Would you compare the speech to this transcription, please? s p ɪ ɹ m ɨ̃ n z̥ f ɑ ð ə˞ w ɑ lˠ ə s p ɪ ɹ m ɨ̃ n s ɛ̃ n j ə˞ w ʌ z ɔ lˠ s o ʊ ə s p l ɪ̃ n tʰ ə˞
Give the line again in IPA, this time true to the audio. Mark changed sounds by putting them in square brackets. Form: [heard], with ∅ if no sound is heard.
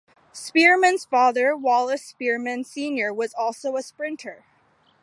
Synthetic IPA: s p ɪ ɹ m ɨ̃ n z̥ f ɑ ð ə˞ w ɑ lˠ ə s p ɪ ɹ m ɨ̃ n s [ĩ] n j ə˞ w ʌ z ɔ lˠ s o ʊ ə s p [ɹ] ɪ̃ n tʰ ə˞

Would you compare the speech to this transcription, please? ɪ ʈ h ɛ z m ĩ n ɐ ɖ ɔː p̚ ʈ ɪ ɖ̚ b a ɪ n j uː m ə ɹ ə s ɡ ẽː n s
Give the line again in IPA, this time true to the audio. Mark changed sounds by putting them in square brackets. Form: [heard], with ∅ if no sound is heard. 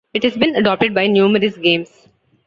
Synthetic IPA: ɪ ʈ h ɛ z [b] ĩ n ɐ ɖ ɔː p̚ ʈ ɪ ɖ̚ b a ɪ n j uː m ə [ɾ] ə s ɡ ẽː [m] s

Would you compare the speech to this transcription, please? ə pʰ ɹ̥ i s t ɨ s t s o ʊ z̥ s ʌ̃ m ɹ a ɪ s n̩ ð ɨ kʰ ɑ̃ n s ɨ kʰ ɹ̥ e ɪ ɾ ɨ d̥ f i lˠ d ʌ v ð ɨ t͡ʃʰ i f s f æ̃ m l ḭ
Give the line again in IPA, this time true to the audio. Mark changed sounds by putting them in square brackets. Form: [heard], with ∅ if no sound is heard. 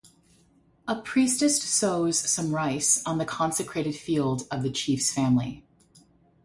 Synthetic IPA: ə pʰ ɹ̥ i s t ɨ s t s o ʊ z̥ s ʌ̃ m ɹ a ɪ s n̩ ð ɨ kʰ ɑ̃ n s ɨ kʰ ɹ̥ e ɪ ɾ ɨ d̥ f i lˠ d ʌ v ð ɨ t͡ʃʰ i f s f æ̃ m l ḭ

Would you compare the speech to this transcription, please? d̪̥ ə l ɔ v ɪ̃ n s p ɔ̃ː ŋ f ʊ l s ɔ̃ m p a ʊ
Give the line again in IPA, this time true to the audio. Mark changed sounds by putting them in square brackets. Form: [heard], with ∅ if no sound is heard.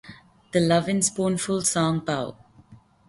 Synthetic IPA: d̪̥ ə l [ʌ] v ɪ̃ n s p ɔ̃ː [n] f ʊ l s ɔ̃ [ŋ] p a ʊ

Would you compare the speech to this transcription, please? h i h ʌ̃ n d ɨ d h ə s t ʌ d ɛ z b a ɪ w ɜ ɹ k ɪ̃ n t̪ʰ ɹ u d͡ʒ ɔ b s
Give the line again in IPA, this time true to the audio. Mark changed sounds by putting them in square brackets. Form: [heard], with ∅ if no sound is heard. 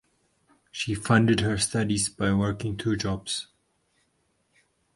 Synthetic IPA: [ʃ] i [f] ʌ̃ n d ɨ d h ə s t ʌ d [i] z b a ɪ w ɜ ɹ k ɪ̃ [ŋ] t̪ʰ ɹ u d͡ʒ ɔ b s

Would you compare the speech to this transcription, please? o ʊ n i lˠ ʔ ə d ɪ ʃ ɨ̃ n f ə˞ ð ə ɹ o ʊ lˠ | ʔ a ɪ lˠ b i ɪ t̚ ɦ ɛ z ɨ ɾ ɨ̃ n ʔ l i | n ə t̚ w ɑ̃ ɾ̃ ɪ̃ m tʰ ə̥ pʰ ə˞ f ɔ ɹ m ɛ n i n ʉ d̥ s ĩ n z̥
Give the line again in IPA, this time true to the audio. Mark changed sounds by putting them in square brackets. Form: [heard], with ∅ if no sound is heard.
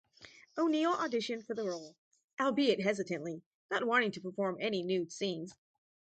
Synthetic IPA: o ʊ n i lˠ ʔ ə d ɪ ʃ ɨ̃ n f ə˞ ð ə ɹ o ʊ lˠ | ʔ a ɪ lˠ b i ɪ t̚ ɦ ɛ z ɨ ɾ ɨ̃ n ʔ l i | n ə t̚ w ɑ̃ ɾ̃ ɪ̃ [ŋ] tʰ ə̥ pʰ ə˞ f ɔ ɹ m ɛ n i n ʉ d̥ s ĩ n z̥

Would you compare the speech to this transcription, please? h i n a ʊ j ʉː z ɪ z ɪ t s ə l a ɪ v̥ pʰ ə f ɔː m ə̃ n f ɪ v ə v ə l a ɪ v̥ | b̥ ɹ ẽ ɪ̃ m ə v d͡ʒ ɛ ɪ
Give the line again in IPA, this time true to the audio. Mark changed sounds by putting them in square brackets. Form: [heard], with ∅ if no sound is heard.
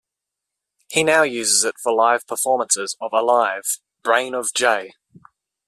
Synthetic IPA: h i n a ʊ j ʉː z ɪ z ɪ t [f] ə l a ɪ v̥ pʰ ə f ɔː m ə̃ n [s] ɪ [z] ə v ə l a ɪ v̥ | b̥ ɹ ẽ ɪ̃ [n] ə v d͡ʒ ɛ ɪ

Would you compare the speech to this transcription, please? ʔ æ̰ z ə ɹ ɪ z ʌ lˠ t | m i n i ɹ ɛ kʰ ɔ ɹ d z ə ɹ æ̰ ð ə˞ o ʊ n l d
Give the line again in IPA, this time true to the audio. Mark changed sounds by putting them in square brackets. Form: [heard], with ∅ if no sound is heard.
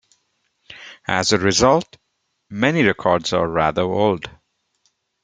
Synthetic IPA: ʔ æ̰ z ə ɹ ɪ z ʌ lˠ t | m [ɛ] n i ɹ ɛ kʰ ɔ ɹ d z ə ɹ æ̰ ð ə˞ o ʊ [∅] l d

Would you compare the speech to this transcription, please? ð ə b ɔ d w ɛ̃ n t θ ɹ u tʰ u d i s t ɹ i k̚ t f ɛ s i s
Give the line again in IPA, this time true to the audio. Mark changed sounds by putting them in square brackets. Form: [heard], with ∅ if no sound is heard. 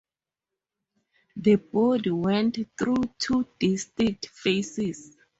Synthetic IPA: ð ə b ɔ d w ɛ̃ n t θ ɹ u tʰ u d i s t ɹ i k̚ t f [e] s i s

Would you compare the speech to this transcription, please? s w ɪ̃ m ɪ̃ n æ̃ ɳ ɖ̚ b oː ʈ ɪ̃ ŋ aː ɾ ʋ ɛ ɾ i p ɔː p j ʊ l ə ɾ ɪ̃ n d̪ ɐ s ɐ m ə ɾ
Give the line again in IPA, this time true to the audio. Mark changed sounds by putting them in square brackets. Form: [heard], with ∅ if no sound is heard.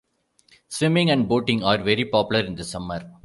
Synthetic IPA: s [ʋ] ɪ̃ m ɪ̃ [ŋ] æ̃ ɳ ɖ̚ b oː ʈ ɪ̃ ŋ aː ɾ ʋ ɛ ɾ i p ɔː p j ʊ l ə ɾ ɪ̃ n d̪ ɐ s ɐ m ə ɾ

